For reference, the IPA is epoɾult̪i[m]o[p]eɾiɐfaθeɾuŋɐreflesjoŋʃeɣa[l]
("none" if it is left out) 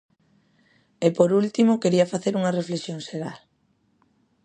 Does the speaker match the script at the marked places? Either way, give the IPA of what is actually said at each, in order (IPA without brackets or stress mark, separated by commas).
m, k, l